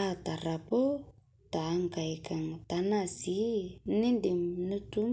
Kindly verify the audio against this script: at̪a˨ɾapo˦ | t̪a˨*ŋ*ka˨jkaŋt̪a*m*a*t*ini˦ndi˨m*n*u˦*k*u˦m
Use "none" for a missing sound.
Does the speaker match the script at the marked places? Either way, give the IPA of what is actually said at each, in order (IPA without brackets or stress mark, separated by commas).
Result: ŋ, n, s, n, t